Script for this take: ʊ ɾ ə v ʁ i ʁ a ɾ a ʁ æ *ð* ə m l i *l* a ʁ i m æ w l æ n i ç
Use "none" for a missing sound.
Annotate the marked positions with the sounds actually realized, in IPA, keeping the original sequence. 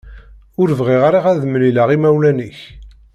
ð, l

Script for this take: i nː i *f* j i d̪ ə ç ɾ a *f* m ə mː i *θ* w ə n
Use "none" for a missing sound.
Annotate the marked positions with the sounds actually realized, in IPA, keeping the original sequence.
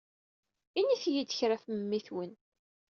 θ, f, θ

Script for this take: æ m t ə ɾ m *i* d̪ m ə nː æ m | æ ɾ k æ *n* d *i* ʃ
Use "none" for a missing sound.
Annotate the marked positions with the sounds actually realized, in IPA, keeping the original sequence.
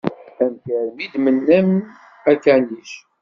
i, n, i

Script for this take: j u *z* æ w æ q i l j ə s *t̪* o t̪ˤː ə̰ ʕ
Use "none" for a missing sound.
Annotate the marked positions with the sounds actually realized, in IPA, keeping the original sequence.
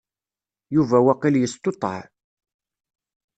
v, t̪

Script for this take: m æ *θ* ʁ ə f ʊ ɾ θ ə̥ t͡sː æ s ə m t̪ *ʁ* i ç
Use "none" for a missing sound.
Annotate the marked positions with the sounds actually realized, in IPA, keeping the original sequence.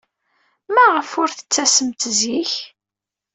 none, z

